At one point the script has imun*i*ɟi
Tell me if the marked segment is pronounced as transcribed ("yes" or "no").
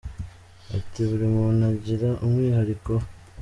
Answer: no